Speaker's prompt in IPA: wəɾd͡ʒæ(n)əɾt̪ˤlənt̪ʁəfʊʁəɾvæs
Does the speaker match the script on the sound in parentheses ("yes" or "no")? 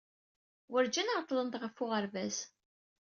yes